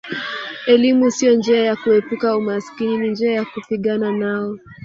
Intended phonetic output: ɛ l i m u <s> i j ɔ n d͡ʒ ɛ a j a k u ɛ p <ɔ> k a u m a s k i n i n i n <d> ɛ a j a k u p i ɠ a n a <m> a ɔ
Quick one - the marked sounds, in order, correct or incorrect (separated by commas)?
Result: correct, incorrect, incorrect, incorrect